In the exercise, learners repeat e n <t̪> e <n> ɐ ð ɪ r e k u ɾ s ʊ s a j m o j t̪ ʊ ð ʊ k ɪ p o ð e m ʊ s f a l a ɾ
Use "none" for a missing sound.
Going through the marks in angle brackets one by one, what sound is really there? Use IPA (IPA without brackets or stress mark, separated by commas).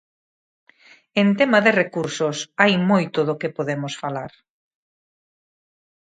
t̪, m